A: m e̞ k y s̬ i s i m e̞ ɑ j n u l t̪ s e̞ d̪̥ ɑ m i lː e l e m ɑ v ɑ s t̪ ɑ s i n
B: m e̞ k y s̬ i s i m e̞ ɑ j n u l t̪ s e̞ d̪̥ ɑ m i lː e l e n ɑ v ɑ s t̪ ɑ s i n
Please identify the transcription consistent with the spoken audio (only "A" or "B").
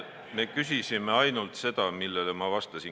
A